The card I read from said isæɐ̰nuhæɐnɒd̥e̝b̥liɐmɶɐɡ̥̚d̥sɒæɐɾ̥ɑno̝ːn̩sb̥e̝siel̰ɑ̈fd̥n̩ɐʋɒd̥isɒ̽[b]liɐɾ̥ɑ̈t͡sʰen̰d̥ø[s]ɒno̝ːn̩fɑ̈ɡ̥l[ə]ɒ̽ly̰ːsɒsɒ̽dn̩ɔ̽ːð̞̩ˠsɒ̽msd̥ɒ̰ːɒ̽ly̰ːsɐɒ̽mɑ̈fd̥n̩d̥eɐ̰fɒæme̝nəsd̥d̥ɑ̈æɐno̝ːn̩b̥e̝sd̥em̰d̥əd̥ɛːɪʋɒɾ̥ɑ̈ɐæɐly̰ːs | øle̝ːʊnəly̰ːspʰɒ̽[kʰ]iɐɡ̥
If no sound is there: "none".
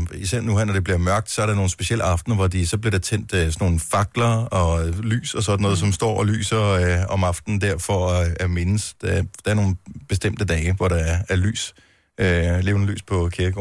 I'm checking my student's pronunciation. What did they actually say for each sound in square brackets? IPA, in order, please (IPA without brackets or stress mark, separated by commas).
b, s, ɐ, kʰ